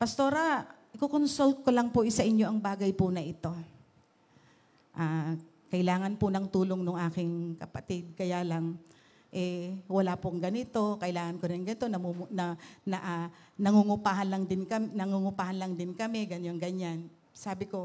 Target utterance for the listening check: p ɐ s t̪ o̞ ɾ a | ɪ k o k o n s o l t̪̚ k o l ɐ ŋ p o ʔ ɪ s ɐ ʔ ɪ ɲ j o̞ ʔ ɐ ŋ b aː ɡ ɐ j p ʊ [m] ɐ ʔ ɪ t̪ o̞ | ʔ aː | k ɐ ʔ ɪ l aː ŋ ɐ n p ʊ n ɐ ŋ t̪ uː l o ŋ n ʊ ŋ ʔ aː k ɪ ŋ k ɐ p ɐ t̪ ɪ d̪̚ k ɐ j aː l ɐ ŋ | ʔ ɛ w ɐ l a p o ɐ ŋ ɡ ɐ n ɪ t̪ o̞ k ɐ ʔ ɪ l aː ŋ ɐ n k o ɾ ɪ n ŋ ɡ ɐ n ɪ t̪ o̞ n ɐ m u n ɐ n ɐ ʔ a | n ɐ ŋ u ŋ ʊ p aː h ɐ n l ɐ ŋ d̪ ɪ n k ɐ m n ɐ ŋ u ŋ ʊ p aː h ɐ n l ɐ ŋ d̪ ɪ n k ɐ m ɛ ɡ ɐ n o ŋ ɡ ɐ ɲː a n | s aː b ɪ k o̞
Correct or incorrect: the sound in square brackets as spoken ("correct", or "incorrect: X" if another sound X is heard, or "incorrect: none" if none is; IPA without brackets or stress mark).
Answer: incorrect: n